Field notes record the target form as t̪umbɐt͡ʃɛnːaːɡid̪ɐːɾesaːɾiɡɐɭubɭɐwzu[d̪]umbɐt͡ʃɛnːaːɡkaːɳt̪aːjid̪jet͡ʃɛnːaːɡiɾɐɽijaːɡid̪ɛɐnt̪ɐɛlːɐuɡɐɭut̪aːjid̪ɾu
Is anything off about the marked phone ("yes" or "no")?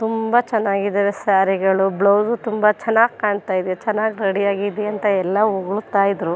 yes